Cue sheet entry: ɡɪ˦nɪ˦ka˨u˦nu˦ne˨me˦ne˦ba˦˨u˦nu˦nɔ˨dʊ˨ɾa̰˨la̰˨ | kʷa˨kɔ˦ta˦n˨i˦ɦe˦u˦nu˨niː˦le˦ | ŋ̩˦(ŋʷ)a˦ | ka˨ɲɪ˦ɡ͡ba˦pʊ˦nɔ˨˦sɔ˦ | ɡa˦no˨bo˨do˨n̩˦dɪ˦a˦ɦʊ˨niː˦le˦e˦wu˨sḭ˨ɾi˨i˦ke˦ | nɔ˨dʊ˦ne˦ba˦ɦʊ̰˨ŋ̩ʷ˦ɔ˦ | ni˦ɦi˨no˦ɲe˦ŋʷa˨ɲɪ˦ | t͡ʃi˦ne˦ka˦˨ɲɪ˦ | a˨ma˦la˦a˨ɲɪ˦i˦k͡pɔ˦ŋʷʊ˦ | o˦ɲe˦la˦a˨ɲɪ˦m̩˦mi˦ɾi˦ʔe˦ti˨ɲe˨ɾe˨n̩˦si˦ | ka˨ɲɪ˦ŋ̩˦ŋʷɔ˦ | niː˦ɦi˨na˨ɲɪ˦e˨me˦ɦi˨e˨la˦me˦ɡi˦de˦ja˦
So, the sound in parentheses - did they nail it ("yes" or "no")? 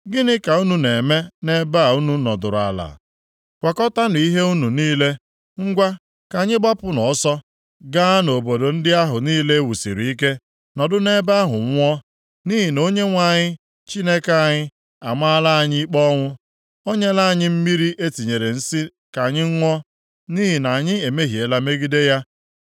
no